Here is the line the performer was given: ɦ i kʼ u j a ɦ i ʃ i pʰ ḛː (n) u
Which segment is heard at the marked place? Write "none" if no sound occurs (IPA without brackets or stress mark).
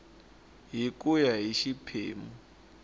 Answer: m